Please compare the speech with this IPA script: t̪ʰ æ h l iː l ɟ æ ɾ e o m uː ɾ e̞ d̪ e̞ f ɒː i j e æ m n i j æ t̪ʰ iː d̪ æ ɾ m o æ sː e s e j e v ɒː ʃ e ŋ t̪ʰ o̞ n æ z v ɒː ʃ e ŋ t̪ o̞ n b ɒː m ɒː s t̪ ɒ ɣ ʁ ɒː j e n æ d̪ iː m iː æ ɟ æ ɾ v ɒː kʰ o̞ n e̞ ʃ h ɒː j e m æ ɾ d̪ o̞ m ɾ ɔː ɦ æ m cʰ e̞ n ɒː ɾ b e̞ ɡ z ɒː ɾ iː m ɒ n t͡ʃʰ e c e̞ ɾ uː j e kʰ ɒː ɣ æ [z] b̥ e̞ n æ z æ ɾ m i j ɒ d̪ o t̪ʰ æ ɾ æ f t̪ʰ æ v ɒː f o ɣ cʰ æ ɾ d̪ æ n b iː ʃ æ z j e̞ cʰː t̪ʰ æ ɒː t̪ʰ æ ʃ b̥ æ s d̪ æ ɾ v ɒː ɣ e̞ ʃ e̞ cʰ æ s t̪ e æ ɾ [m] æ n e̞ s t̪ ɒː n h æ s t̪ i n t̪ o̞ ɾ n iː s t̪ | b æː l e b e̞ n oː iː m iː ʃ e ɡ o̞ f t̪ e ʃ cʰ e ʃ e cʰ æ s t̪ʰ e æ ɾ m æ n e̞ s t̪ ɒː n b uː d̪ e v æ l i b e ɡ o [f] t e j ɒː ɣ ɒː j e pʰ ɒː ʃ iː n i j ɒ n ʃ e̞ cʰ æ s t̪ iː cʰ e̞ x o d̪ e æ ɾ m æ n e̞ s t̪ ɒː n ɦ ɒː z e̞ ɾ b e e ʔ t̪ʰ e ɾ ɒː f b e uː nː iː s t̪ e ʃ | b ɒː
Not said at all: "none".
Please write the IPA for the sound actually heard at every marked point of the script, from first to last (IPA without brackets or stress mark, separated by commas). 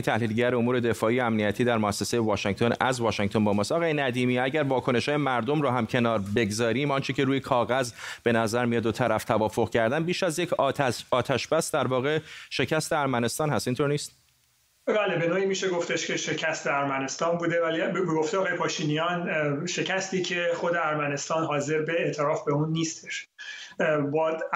z, m, f